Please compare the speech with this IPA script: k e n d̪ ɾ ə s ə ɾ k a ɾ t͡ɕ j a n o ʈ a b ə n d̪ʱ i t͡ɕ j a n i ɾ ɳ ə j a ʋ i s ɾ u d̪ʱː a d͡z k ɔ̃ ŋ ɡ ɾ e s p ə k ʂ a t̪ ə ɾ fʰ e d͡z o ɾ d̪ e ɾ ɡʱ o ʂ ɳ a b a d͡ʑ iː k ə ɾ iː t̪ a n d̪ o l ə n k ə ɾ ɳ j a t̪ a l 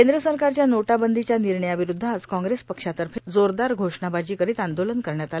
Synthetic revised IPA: k e n d̪ ɾ ə s ə ɾ k a ɾ t͡ɕ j a n o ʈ a b ə n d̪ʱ i t͡ɕ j a n i ɾ ɳ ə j a ʋ i ɾ u d̪ʱː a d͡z k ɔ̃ ŋ ɡ ɾ e s p ə k ʂ a t̪ ə ɾ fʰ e d͡z o ɾ d̪ a ɾ ɡʱ o ʂ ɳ a b a d͡ʑ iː k ə ɾ iː t̪ a n d̪ o l ə n k ə ɾ ɳ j a t̪ a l